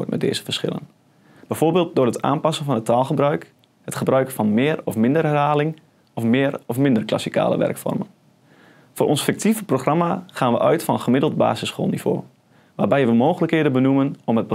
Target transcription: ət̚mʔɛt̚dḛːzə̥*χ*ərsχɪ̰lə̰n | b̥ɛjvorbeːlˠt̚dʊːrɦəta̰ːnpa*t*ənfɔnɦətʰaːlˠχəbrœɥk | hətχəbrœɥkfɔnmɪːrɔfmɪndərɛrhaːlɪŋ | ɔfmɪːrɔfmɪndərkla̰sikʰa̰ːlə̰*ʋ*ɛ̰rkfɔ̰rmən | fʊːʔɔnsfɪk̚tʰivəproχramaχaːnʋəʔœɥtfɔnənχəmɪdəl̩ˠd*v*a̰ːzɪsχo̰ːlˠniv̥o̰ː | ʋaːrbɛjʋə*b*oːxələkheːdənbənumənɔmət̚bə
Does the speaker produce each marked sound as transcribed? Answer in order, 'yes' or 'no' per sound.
no, no, yes, no, no

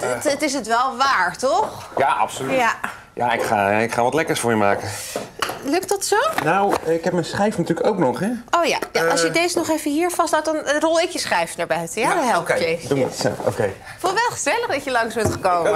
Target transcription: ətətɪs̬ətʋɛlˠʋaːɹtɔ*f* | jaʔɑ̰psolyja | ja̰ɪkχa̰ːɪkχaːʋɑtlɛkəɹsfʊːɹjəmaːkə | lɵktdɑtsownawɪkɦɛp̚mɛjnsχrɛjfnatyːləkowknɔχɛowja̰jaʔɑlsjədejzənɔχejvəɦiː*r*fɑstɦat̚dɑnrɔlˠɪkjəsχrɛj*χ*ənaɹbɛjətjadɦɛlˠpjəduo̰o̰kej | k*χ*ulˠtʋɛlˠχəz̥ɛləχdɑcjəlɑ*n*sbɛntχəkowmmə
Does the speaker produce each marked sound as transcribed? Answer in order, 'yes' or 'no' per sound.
no, no, no, no, no

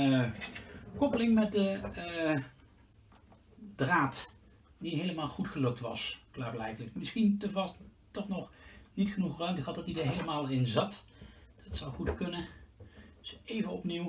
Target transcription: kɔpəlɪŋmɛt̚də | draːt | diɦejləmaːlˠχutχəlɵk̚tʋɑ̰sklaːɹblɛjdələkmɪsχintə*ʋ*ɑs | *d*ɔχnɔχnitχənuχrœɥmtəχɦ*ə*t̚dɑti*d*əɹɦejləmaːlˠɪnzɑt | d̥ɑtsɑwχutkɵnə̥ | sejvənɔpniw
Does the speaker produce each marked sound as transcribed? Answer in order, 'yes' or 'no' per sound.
no, no, no, yes

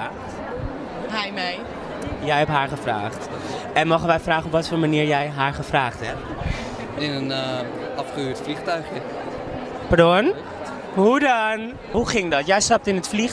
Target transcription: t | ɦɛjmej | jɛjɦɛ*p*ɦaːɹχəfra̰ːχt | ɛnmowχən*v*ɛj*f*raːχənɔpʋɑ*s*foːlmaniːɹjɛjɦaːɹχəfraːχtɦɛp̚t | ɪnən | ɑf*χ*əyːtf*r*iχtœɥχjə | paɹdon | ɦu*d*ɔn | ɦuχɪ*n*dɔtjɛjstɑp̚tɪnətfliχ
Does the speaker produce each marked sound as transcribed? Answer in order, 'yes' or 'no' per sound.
yes, no, yes, no, yes, no, yes, no

